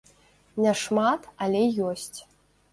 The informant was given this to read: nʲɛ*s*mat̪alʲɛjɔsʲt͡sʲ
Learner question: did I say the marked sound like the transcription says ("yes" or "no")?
no